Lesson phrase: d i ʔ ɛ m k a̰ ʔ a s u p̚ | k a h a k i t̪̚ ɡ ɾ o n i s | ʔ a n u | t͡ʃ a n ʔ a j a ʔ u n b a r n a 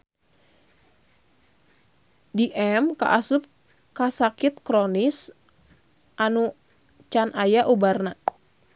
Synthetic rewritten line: d i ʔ ɛ m k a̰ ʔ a s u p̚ | k a s a k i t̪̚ k ɾ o n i s | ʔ a n u | t͡ʃ a n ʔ a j a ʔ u b a r n a